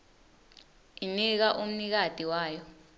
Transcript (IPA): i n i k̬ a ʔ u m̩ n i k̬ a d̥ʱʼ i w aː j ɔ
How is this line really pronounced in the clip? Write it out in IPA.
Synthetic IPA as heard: i n i k̬ a ʔ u m̩ n i k̬ a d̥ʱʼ i w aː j ɔ